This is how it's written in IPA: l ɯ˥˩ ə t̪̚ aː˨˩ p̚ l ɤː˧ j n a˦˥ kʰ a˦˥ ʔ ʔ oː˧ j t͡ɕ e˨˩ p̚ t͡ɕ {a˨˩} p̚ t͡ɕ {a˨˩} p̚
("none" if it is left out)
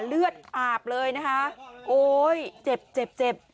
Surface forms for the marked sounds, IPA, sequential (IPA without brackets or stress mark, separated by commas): e˨˩, e˨˩